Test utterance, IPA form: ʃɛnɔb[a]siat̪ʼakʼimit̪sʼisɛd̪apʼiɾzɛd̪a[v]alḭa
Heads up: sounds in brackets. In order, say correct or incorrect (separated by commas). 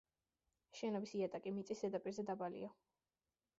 incorrect, incorrect